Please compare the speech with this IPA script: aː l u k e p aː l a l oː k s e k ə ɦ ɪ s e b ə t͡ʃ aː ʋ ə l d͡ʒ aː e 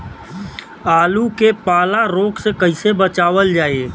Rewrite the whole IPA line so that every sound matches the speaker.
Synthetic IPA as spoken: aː l u k e p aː l a ɾ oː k s e k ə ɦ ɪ s e b ə t͡ʃ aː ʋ ə l d͡ʒ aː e